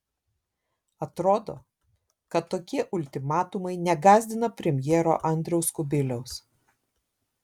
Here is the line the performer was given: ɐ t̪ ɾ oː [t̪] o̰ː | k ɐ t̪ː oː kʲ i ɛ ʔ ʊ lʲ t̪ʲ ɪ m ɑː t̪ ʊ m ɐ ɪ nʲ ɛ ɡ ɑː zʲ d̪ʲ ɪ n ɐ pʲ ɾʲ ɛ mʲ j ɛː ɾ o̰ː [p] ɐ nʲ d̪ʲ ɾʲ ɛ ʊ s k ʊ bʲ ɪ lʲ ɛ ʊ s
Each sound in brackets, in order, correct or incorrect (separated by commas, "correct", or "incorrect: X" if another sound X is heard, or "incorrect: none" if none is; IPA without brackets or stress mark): incorrect: d̪, incorrect: ʔ